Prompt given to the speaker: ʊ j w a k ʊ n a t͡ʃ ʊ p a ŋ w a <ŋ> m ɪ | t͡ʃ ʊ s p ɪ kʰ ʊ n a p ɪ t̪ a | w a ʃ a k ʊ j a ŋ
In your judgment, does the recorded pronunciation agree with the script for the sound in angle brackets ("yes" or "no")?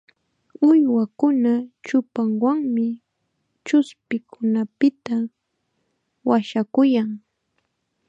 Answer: yes